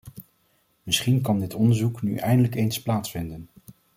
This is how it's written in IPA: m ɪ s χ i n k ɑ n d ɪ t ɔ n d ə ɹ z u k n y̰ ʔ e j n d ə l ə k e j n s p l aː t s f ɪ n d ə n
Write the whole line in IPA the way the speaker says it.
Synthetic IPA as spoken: m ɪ s χ i n k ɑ n d ɪ t ɔ n d ə ɹ z u k n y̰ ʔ ɛ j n d ə l ə k e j n s p l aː t s f ɪ n d ə n